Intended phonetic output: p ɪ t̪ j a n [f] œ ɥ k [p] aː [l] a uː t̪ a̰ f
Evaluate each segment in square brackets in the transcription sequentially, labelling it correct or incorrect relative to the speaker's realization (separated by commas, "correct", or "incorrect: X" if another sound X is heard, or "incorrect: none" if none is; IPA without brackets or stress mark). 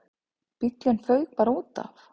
correct, correct, incorrect: ɾ